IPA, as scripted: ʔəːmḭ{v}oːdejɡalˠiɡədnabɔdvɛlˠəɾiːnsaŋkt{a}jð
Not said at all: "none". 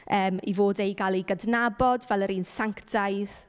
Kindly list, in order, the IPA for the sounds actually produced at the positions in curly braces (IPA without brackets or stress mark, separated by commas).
v, a